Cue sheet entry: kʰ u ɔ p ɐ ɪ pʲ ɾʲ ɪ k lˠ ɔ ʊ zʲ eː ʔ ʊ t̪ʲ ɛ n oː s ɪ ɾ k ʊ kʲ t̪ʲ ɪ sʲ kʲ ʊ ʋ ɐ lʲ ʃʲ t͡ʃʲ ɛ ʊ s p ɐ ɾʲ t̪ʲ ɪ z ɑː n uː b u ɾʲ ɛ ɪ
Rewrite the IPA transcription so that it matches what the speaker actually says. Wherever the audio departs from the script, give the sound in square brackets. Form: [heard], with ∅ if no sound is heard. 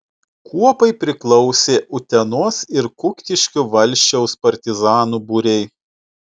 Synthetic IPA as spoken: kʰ u ɔ p ɐ ɪ pʲ ɾʲ ɪ k lˠ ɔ ʊ [sʲ] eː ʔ ʊ t̪ʲ ɛ n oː s ɪ ɾ k ʊ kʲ t̪ʲ ɪ [ʃʲ] kʲ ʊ ʋ ɐ lʲ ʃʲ t͡ʃʲ ɛ ʊ s p ɐ ɾʲ t̪ʲ ɪ z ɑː n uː b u ɾʲ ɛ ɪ